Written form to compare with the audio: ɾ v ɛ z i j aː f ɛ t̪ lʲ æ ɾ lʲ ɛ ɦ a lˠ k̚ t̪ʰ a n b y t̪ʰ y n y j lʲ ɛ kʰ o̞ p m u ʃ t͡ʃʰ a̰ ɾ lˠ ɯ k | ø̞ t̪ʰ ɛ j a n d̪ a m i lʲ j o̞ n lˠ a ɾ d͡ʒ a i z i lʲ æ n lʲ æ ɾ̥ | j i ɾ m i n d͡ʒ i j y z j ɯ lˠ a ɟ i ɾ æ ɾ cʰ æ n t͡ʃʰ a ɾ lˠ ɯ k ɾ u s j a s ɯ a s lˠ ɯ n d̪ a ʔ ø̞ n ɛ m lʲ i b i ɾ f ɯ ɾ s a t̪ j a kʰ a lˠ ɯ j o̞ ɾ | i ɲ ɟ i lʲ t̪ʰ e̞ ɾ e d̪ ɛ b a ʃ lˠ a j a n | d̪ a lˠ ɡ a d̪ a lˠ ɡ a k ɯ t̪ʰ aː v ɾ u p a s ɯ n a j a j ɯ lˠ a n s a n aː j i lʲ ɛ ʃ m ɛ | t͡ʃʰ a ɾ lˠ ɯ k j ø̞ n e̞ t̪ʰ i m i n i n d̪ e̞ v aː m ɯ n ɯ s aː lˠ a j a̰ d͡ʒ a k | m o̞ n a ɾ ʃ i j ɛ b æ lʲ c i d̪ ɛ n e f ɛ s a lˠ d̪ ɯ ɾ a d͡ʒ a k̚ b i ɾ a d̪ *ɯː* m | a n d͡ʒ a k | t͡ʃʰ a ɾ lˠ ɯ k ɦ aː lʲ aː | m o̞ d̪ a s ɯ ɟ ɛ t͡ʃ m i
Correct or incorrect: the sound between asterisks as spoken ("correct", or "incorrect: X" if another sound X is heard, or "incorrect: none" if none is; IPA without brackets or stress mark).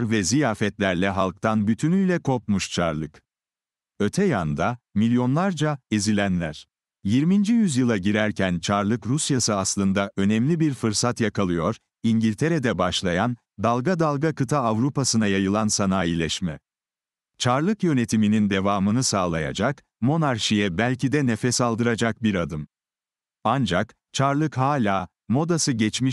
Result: incorrect: ɯ